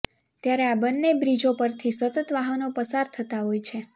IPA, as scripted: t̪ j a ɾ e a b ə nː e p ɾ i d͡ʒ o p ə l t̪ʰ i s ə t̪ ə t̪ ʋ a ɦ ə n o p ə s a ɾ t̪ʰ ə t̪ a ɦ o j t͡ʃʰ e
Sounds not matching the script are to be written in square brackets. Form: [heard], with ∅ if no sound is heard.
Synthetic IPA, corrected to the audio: t̪ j a ɾ e a b ə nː e [b] ɾ i d͡ʒ o p ə [ɾ] t̪ʰ i s ə t̪ ə t̪ ʋ a ɦ ə n o p ə s a ɾ t̪ʰ ə t̪ a ɦ o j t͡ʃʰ e